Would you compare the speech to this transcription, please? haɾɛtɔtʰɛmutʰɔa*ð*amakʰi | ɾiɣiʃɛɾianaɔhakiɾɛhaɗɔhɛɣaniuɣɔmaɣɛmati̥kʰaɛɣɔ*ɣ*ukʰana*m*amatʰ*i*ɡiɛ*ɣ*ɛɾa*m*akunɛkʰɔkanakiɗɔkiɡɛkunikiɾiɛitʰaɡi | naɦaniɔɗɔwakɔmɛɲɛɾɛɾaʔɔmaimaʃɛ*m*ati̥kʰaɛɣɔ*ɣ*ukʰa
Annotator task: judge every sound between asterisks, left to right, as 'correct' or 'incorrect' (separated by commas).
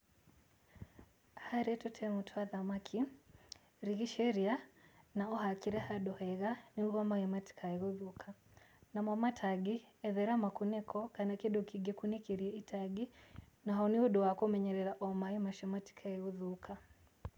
correct, incorrect, correct, incorrect, incorrect, correct, correct, incorrect